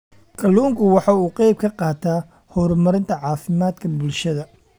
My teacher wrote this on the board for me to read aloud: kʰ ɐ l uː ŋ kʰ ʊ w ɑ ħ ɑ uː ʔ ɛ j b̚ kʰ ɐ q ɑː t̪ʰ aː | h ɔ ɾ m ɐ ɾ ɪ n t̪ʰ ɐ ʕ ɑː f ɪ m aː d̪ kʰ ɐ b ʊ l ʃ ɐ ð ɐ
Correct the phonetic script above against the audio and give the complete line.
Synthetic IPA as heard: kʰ ɐ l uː ŋ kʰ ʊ w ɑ ħ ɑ uː q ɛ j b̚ kʰ ɐ q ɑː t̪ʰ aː | h ɔ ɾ m ɐ ɾ ɪ n t̪ʰ ɐ ʕ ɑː f ɪ m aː d̪ kʰ ɐ b ʊ l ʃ ɐ ð ɐ